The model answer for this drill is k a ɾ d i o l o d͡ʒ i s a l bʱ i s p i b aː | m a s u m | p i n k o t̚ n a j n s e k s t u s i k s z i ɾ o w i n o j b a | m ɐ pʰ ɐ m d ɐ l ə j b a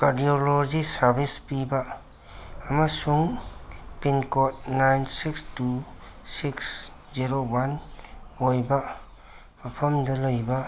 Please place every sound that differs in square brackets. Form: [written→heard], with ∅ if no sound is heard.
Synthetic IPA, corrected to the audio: k a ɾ d i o l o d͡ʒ i s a [l→ɾ] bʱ i s p i b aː | m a s u [m→ŋ] | p i n k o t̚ n a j n s [e→i] k s t u s i k s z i ɾ o w [i→a] n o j b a | m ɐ pʰ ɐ m d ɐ l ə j b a